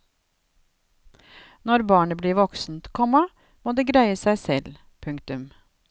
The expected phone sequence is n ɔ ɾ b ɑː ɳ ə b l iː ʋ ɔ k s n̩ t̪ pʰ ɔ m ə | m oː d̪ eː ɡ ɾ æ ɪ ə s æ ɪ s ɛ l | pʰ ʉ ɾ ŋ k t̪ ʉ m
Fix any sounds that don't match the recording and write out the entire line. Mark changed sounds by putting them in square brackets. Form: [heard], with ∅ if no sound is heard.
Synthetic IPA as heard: n ɔ ɾ b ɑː ɳ ə b l iː ʋ ɔ k s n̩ t̪ [kʰ] ɔ m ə | m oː d̪ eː ɡ ɾ æ ɪ ə s æ ɪ s ɛ l | pʰ ʉ [∅] ŋ k t̪ ʉ m